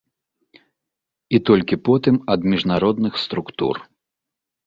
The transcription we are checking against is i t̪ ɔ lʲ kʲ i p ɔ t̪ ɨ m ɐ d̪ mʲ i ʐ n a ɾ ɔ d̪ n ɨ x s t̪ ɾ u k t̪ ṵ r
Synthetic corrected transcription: i t̪ ɔ lʲ kʲ i p ɔ t̪ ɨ m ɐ d̪ mʲ i ʐ n a ɾ ɔ d̪ n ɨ x s t̪ ɾ u k t̪ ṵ r

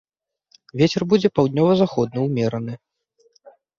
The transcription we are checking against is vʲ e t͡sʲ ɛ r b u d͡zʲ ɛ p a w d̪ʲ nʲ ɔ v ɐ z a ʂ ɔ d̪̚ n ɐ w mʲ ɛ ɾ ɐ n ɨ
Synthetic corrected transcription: vʲ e t͡sʲ ɛ r b u d͡zʲ ɛ p a w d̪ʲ nʲ ɔ v ɐ z a x ɔ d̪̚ n ɐ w mʲ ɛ ɾ ɐ n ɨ

